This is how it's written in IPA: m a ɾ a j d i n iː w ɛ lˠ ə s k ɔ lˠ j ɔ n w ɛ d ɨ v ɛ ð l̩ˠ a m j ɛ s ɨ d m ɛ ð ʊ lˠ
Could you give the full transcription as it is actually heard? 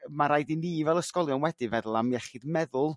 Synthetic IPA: m a ɾ a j d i n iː v ɛ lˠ ə s k ɔ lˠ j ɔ n w ɛ d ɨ v ɛ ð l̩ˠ a m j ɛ χ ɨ d m ɛ ð ʊ lˠ